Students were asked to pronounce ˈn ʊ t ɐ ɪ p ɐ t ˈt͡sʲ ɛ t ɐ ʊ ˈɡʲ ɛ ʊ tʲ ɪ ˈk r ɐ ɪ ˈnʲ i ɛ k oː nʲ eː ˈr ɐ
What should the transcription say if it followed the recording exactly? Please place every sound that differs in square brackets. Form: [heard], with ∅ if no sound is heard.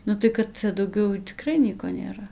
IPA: ˈn ʊ t ɐ ɪ [k] ɐ t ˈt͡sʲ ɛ [d] ɐ ʊ ˈɡʲ ɛ ʊ tʲ ɪ ˈk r ɐ ɪ ˈnʲ i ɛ k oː nʲ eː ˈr ɐ

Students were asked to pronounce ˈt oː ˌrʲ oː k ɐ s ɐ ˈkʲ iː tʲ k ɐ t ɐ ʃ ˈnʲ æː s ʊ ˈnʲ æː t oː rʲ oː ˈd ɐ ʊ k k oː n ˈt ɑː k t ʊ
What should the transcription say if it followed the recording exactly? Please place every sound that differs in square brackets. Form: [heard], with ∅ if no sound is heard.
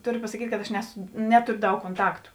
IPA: ˈt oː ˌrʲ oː [p] ɐ s ɐ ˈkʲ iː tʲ k ɐ t ɐ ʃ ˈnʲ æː s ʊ ˈnʲ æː t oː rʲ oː ˈd ɐ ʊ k k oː n ˈt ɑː k t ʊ

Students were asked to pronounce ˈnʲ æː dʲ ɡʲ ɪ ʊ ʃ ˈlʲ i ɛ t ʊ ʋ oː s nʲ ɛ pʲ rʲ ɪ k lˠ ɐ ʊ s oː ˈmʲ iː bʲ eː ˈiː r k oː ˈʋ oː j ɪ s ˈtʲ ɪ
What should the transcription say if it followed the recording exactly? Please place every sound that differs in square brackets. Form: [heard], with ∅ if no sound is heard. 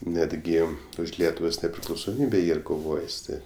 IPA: ˈnʲ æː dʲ ɡʲ ɪ ʊ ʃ ˈlʲ i ɛ t ʊ ʋ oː s nʲ ɛ pʲ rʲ ɪ k lˠ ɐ ʊ s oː ˈmʲ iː bʲ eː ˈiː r k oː ˈʋ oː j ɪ s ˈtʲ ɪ

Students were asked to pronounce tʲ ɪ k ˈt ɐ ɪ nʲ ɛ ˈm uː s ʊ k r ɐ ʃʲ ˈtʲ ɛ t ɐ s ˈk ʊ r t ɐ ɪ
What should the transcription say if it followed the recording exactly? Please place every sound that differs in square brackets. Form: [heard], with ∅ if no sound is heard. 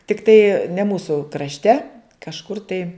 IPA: tʲ ɪ k ˈt ɐ ɪ nʲ ɛ ˈm uː s ʊ k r ɐ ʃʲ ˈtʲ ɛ [k] ɐ [ʃ] ˈk ʊ r t ɐ ɪ

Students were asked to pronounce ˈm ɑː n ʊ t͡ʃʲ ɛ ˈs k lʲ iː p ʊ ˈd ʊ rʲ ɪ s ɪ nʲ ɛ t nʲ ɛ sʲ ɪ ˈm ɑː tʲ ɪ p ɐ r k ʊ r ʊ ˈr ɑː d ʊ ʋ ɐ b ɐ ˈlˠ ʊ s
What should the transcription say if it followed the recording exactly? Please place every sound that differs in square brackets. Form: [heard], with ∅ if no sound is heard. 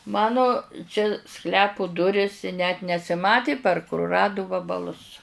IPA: ˈm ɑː n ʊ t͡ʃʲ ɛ ˈs k lʲ [æː] p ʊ ˈd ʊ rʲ ɪ s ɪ nʲ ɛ t nʲ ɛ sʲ ɪ ˈm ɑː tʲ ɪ p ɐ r k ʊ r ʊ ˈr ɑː d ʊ ʋ ɐ b ɐ ˈlˠ ʊ s

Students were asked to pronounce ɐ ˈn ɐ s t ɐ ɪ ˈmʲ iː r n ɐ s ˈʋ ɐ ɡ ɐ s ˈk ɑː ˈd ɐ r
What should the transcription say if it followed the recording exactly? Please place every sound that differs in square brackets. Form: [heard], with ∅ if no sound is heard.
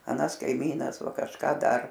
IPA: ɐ ˈn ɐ s [k] ɐ ɪ ˈmʲ iː [∅] n ɐ s ˈʋ ɐ [k] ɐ [ʃ] ˈk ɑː ˈd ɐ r

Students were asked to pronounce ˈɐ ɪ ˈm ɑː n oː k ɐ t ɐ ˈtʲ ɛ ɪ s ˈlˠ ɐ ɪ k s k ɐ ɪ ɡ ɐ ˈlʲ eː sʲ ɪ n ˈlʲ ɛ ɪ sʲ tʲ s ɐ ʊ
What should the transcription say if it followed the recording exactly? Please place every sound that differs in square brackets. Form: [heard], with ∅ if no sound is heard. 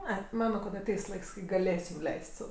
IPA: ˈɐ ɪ ˈm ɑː n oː k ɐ t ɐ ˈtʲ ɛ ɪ s ˈlˠ ɐ ɪ k s k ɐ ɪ ɡ ɐ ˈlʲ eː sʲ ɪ [m] ˈlʲ ɛ ɪ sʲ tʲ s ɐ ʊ

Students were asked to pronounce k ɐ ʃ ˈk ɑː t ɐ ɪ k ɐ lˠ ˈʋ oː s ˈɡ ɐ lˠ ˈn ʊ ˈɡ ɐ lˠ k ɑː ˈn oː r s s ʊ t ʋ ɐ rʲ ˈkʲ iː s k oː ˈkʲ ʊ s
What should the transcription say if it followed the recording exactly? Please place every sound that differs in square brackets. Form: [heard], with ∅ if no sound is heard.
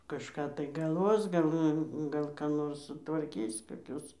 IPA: k ɐ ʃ ˈk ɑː t ɐ ɪ [ɡ] ɐ lˠ ˈʋ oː s ˈɡ ɐ lˠ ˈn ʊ ˈɡ ɐ lˠ k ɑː ˈn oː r s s ʊ t ʋ ɐ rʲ ˈkʲ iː s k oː ˈkʲ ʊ s

